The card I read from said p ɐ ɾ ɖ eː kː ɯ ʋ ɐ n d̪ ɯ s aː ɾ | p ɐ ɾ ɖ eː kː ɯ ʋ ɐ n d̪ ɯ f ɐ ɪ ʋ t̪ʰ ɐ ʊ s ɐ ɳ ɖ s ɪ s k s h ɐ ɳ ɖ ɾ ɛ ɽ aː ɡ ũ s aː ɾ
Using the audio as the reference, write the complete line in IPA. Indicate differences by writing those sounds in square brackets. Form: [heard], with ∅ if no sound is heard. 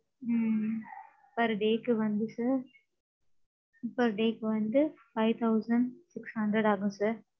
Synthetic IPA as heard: p ɐ ɾ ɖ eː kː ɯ ʋ ɐ n d̪ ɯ s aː ɾ | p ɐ ɾ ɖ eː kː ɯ ʋ ɐ n d̪ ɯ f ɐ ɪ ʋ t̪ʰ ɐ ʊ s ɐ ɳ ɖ s ɪ [∅] k s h ɐ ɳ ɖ ɾ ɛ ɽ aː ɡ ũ s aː ɾ

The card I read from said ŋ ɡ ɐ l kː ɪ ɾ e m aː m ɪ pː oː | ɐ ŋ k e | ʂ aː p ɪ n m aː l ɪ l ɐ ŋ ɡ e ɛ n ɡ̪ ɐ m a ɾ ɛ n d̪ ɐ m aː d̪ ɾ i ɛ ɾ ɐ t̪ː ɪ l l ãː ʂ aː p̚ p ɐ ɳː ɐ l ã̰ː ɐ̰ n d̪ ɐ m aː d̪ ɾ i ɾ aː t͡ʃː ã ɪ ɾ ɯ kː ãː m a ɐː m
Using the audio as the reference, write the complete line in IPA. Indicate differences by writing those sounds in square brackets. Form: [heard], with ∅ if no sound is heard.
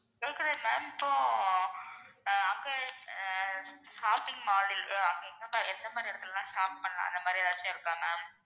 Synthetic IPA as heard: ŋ ɡ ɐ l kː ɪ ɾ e m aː m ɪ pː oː | ɐ ŋ [ɡ] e | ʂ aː p ɪ [ŋ] m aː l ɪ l ɐ ŋ ɡ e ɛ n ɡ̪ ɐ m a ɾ ɛ n d̪ ɐ m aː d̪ ɾ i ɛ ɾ ɐ t̪ː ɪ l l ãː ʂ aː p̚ p ɐ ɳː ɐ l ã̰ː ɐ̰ n d̪ ɐ m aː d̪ ɾ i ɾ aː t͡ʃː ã ɪ ɾ ɯ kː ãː m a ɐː m

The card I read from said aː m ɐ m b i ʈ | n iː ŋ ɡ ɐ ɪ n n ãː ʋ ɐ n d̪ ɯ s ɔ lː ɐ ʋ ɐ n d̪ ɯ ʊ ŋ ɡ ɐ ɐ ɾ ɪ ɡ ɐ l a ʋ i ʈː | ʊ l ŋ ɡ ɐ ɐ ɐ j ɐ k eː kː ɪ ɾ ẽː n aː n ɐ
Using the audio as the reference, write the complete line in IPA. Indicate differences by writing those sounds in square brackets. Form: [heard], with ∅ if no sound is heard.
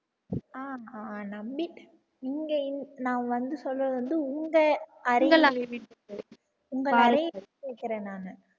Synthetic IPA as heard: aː [n] ɐ m b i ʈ | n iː ŋ ɡ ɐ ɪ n n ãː ʋ ɐ n d̪ ɯ s ɔ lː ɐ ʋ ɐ n d̪ ɯ ʊ ŋ ɡ ɐ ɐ ɾ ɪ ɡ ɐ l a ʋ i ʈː | ʊ [∅] ŋ ɡ ɐ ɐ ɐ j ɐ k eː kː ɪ ɾ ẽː n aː n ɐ

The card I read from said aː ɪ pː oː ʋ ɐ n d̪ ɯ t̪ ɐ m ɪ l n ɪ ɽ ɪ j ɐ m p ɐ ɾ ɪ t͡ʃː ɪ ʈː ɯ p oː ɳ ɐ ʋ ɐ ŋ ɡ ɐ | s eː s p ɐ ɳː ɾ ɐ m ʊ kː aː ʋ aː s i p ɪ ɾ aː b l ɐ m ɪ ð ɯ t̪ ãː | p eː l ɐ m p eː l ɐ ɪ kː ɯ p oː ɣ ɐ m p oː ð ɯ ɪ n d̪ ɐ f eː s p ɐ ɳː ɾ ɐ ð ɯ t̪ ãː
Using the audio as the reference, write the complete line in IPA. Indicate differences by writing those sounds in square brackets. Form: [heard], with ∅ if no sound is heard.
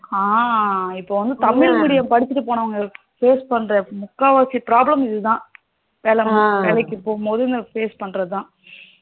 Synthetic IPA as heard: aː ɪ pː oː ʋ ɐ n d̪ ɯ t̪ ɐ m ɪ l [m] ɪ ɽ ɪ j ɐ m p ɐ [ɽ] ɪ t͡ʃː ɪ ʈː ɯ p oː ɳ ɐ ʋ ɐ ŋ ɡ ɐ | [f] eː s p ɐ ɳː ɾ ɐ m ʊ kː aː ʋ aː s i p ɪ ɾ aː b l ɐ m ɪ ð ɯ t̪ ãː | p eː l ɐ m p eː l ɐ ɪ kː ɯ p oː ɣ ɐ m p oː ð ɯ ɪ n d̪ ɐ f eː s p ɐ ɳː ɾ ɐ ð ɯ t̪ ãː

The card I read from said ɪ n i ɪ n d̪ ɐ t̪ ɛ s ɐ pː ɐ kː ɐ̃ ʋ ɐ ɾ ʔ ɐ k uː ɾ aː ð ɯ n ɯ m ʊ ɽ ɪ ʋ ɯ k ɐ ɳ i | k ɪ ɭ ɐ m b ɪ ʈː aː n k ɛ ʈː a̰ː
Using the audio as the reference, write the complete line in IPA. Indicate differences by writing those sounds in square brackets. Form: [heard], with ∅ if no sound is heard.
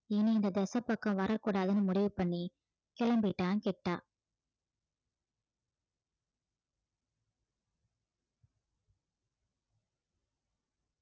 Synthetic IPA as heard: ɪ n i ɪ n d̪ ɐ [d̪] ɛ s ɐ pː ɐ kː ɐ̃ ʋ ɐ ɾ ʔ ɐ k uː [ɽ] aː ð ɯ n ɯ m ʊ ɽ ɪ ʋ ɯ [p] ɐ [ɳː] i | k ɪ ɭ ɐ m b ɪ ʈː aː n k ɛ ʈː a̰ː

